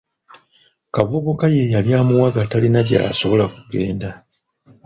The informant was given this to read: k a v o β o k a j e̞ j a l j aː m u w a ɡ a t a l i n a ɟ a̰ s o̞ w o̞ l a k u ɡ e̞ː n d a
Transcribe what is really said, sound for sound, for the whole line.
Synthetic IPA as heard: k a v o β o k a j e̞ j a l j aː m u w a ɡ a t a l i n a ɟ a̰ s o̞ β o̞ l a k u ɡ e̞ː n d a